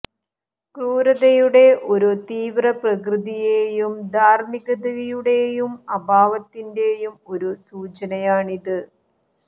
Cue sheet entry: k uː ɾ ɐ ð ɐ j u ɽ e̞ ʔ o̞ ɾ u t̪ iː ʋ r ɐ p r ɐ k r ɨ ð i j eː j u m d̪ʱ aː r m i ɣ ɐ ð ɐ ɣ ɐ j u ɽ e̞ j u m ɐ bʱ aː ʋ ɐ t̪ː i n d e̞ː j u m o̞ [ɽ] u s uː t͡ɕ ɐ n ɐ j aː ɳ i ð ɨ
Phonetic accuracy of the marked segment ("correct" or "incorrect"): incorrect